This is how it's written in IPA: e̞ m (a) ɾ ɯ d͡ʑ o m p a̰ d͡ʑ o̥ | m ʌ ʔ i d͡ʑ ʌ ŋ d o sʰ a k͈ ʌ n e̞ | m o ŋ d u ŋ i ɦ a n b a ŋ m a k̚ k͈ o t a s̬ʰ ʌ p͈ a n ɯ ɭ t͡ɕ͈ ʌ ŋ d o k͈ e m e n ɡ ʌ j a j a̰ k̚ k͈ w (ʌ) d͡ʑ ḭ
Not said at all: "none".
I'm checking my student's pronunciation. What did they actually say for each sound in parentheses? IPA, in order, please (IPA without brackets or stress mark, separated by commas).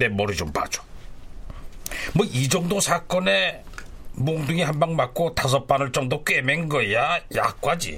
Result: ʌ, a